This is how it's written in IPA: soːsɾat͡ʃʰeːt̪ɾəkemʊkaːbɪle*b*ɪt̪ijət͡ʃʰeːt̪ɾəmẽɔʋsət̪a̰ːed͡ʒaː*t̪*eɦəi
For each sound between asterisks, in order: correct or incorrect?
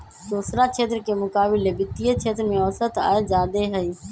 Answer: correct, incorrect

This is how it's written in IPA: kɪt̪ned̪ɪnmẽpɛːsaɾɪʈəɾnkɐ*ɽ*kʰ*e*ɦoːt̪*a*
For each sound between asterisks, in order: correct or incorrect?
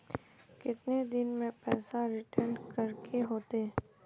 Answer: incorrect, correct, incorrect

